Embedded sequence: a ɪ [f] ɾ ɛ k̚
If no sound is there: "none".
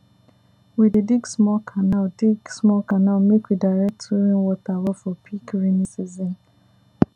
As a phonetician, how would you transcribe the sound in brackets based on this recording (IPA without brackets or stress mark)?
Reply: none